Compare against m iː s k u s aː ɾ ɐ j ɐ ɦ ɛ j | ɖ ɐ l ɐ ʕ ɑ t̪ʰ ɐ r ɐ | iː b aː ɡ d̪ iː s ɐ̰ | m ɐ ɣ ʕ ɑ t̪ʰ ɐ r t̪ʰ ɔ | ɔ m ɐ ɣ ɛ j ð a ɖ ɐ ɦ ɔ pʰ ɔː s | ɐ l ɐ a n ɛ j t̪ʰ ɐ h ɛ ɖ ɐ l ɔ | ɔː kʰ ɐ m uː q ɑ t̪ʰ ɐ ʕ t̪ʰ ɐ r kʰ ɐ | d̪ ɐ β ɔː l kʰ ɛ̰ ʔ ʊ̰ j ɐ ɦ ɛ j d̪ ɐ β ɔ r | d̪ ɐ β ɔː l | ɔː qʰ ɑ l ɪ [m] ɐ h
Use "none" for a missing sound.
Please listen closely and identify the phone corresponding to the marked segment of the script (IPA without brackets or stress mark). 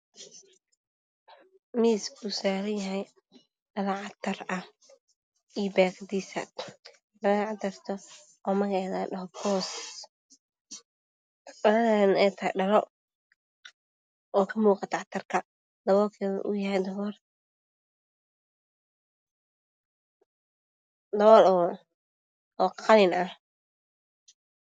n